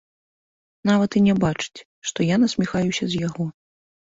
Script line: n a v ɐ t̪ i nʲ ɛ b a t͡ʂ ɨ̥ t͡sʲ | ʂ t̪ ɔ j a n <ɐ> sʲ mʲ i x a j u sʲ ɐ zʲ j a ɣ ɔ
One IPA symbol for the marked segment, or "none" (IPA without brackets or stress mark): ɐ